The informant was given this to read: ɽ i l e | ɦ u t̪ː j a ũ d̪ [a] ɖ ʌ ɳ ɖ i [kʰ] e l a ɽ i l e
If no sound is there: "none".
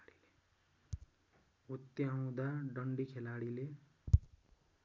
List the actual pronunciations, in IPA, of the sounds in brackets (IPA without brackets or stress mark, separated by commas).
a, kʰ